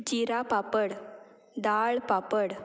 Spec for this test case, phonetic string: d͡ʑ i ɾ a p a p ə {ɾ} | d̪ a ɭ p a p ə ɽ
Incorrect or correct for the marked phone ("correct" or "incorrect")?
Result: incorrect